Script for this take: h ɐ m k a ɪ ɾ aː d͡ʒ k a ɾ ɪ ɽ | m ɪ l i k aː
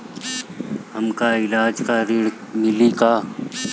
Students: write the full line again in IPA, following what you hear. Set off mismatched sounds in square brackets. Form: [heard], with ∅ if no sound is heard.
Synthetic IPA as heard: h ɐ m k a ɪ [l] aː d͡ʒ k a ɾ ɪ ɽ | m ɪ l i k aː